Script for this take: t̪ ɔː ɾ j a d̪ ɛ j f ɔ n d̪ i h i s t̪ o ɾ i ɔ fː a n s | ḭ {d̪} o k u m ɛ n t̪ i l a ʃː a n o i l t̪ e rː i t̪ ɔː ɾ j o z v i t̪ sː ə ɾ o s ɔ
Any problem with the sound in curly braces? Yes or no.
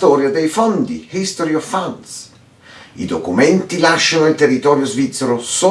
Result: no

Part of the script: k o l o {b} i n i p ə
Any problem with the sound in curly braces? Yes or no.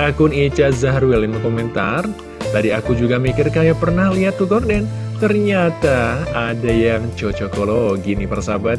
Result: yes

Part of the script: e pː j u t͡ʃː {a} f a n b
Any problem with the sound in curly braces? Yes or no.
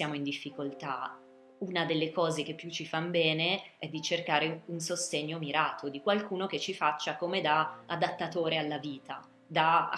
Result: yes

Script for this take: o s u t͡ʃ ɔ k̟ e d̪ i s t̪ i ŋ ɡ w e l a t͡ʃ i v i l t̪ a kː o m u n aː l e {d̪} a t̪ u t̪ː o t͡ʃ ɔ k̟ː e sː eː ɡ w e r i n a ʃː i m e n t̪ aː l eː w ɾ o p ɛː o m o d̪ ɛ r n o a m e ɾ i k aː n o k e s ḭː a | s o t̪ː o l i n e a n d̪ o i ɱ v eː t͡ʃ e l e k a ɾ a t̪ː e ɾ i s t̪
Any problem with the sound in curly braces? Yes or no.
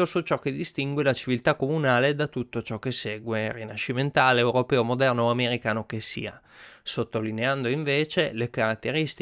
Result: no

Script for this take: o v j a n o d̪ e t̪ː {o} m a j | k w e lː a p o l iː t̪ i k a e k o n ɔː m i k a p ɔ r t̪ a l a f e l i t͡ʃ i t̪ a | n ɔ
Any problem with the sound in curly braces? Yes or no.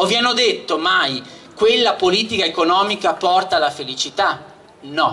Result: no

